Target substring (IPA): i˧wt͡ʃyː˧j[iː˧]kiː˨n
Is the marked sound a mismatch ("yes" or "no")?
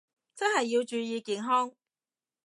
no